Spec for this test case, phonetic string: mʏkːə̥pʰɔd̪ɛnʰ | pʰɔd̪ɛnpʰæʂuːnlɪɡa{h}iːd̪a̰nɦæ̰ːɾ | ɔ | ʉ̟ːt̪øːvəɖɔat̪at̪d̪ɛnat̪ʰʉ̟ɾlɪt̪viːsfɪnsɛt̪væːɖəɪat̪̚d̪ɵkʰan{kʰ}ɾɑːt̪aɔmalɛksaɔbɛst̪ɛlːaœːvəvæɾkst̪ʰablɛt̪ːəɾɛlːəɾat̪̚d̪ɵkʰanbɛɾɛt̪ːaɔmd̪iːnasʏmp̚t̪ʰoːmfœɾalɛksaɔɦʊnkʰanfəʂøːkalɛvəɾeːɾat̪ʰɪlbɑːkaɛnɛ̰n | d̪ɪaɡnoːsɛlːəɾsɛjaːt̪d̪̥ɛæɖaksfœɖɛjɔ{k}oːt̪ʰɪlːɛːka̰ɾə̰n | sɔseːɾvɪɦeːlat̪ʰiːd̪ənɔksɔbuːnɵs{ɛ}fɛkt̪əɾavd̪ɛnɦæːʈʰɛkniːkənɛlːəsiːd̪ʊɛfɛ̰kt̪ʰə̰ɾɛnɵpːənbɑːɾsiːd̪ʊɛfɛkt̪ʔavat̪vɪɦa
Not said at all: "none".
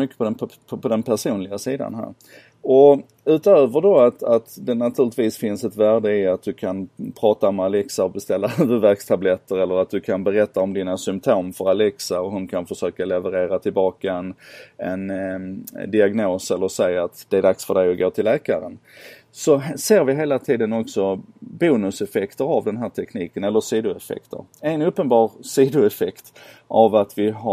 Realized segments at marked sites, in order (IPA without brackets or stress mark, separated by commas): s, pʰ, ɡ, ɛ